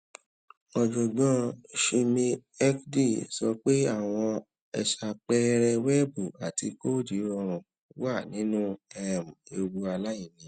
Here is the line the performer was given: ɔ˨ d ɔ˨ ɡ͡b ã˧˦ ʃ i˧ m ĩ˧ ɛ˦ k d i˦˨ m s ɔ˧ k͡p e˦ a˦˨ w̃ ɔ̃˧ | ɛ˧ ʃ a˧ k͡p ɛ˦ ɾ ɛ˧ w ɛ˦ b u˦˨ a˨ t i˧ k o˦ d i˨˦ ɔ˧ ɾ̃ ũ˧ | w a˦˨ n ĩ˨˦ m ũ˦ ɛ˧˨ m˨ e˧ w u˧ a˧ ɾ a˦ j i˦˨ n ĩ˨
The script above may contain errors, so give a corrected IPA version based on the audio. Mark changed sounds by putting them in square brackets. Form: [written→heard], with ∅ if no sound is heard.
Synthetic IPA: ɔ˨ [d→d͡ʒ] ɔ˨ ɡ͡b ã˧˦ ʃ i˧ m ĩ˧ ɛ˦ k d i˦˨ [m→∅] s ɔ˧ k͡p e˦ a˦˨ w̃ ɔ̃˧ | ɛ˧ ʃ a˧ k͡p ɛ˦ ɾ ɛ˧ w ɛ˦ b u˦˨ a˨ t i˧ k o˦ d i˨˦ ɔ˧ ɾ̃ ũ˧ | w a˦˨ n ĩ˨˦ [m→n] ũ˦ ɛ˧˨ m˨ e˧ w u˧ a˧ [ɾ→l] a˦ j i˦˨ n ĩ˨

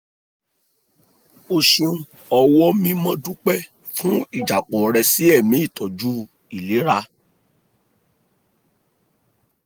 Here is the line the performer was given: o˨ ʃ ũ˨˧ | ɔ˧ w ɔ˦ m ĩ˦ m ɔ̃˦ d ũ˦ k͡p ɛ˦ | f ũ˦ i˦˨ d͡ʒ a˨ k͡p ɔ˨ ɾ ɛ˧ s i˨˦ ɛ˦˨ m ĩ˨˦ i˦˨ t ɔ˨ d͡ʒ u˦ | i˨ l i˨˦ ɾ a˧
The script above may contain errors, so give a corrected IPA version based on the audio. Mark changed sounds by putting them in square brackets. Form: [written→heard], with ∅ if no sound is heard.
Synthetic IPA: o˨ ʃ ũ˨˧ | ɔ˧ w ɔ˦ m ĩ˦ m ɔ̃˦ d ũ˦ k͡p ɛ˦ | f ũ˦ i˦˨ d͡ʒ a˨ k͡p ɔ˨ ɾ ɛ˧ s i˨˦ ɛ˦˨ m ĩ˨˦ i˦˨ t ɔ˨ d͡ʒ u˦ | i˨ l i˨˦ ɾ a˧

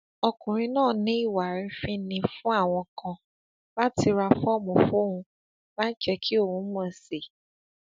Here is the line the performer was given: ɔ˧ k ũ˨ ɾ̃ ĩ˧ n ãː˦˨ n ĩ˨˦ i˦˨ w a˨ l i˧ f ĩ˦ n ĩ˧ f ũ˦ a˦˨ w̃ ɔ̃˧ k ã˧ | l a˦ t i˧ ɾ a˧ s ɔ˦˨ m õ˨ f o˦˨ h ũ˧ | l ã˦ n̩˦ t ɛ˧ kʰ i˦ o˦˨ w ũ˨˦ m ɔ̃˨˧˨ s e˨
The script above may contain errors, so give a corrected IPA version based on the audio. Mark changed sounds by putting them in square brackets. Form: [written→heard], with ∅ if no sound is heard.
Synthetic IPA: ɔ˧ k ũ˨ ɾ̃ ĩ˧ n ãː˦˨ n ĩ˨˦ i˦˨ w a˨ [l→ɾ] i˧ f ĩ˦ n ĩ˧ f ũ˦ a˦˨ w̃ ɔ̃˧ k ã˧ | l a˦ t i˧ ɾ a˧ [s→f] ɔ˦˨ m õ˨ f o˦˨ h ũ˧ | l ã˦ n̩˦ [t→t͡ʃ] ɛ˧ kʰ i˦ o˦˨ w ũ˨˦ m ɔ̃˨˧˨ s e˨

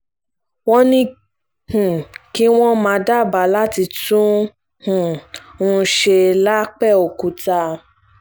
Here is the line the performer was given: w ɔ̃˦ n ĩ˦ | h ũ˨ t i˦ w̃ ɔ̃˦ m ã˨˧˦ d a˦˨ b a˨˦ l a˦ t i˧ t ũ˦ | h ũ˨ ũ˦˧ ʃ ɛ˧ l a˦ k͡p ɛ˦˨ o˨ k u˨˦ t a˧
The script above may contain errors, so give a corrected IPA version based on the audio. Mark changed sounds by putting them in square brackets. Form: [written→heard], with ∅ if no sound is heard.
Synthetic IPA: w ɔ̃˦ n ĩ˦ | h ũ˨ [t→k] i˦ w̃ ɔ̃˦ m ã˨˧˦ d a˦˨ b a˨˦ l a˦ t i˧ t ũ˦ | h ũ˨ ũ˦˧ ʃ [ɛ˧→e˧] l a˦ k͡p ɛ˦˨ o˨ k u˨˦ t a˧

